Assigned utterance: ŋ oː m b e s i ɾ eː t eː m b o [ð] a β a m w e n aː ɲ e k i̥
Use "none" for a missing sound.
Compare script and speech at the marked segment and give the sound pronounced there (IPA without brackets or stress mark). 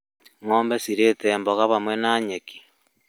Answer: ɣ